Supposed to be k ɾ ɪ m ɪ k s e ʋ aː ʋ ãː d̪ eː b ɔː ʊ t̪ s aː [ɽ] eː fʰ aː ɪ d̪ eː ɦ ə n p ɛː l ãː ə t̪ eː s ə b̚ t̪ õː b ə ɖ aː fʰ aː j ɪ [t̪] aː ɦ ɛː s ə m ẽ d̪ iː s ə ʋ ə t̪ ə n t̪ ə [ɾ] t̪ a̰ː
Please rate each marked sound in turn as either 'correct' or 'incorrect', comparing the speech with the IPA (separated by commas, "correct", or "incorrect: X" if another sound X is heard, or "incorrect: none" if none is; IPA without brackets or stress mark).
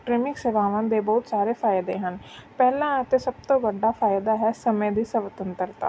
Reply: incorrect: ɾ, incorrect: d̪, correct